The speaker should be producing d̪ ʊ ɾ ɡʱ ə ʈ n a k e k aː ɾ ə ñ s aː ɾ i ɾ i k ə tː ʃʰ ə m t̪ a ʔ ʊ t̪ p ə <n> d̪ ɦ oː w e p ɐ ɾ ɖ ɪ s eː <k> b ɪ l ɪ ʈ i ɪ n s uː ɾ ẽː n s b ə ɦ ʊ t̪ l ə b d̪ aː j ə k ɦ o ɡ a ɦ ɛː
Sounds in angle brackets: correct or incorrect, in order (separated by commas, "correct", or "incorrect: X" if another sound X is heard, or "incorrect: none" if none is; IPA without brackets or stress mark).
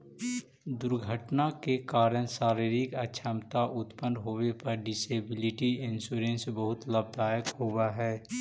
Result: correct, incorrect: none